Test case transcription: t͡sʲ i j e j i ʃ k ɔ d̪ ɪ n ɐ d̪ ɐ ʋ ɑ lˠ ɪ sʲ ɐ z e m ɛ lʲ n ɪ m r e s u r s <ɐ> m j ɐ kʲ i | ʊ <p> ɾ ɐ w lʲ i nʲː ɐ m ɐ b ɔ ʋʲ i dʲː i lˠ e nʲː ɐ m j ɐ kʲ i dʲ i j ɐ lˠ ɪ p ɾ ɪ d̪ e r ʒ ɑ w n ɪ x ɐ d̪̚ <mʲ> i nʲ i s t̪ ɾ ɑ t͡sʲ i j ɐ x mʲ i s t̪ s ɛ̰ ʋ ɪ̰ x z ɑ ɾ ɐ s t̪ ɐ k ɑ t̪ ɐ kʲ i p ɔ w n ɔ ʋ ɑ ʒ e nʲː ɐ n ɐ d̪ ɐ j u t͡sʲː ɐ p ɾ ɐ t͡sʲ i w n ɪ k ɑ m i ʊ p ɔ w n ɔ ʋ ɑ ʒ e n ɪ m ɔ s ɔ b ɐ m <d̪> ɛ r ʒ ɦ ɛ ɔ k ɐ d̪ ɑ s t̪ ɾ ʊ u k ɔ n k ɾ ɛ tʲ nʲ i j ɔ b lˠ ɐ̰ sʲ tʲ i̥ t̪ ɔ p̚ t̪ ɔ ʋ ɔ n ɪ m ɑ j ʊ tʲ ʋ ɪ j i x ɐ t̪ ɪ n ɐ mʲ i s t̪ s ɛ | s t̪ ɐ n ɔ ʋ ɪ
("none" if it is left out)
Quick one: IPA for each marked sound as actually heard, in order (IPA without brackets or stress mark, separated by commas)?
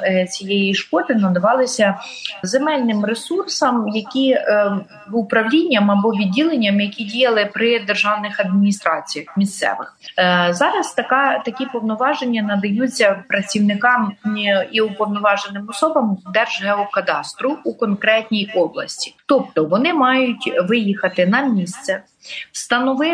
ɐ, p, mʲ, d̪